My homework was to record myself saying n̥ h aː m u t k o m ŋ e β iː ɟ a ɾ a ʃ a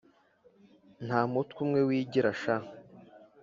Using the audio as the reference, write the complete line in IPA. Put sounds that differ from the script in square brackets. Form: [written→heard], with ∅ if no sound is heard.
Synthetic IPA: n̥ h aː m u t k [o→u] m ŋ e [β→w] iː ɟ [a→i] ɾ a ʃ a

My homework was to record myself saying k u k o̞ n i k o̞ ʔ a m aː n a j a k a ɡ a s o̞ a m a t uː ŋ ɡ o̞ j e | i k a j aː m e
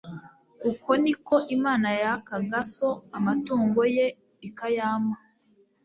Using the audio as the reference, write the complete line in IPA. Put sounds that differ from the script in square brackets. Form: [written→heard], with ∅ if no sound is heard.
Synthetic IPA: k u k o̞ n i k o̞ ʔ [a→i] m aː n a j a k a ɡ a s o̞ a m a t uː ŋ ɡ o̞ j e | i k a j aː m [e→a]

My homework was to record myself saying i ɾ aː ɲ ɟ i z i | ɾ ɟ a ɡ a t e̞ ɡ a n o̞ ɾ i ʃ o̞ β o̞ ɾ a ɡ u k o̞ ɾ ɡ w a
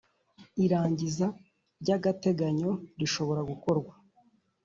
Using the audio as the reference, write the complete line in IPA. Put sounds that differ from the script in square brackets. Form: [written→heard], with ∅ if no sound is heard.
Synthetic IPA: i ɾ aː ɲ ɟ i z [i→a] | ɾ ɟ a ɡ a t e̞ ɡ a [n→ɲ] o̞ ɾ i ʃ o̞ β o̞ ɾ a ɡ u k o̞ ɾ ɡ w a

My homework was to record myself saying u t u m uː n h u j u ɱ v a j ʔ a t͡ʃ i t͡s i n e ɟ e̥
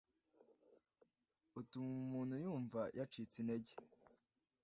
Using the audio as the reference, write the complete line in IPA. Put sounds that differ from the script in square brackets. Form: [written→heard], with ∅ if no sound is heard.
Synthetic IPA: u t u m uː n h u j [u→uː] ɱ v a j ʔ a t͡ʃ i t͡s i n e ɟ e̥

